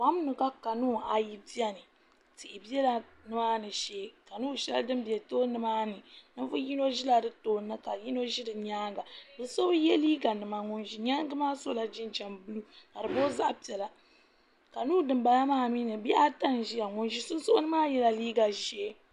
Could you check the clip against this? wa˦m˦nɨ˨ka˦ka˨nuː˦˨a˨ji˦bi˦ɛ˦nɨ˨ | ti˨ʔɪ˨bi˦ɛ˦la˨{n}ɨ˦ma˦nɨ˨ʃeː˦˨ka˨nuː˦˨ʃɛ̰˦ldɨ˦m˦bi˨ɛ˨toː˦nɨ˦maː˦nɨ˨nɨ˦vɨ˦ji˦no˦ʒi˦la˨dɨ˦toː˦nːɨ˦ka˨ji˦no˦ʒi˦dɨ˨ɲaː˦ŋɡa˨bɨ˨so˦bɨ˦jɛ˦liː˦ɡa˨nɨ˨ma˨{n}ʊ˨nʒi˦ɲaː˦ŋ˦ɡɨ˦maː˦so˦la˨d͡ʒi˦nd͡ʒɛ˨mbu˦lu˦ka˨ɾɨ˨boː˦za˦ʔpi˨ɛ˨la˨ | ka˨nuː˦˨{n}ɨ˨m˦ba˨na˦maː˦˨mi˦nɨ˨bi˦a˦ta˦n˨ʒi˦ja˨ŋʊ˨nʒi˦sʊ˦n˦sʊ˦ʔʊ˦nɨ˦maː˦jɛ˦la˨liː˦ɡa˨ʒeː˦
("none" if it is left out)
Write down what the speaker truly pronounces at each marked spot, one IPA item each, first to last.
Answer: n, ŋ, d

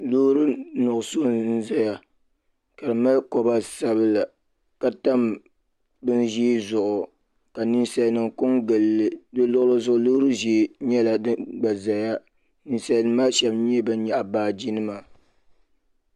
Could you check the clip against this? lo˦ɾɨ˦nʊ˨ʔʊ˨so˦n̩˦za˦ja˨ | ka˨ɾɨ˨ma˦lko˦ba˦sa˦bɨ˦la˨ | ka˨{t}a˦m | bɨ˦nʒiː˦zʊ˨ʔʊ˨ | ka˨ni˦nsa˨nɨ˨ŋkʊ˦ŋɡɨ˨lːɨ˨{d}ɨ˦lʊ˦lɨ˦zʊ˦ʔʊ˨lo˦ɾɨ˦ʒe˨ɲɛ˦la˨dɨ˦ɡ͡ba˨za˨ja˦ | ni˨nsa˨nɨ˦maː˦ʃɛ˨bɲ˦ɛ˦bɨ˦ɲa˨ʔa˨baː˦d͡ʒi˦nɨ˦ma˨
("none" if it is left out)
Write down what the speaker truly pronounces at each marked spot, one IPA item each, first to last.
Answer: t, d

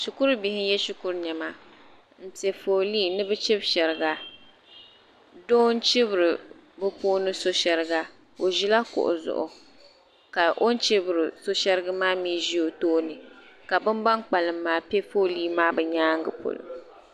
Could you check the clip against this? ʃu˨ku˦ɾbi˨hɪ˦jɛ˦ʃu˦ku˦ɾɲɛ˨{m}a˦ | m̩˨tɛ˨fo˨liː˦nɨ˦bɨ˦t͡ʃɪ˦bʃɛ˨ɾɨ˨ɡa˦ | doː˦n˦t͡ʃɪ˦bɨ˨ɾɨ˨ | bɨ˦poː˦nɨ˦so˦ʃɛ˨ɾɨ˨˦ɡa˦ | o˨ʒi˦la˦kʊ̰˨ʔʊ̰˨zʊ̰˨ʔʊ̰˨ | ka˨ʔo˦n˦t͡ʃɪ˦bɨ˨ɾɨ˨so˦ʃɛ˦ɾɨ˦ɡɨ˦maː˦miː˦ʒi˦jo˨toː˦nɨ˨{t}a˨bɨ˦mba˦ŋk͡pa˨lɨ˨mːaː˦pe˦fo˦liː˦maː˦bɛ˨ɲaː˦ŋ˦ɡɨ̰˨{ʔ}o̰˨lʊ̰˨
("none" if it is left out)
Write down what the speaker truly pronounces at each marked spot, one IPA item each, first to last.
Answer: m, k, p

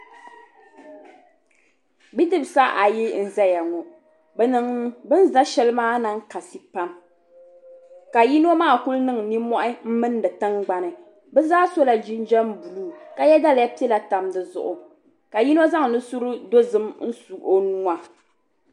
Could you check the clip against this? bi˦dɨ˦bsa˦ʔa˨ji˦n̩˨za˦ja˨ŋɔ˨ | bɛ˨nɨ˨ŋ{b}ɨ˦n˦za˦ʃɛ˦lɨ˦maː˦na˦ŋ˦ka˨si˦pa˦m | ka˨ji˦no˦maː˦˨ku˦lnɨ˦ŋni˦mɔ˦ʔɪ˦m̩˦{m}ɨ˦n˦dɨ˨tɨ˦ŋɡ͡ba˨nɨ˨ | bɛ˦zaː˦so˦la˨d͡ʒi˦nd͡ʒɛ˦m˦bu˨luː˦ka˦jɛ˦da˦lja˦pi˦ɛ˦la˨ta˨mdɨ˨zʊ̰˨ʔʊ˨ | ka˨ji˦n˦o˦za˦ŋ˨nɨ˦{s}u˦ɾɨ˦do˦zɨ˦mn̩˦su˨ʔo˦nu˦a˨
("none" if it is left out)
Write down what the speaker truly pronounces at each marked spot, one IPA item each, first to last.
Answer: b, m, s

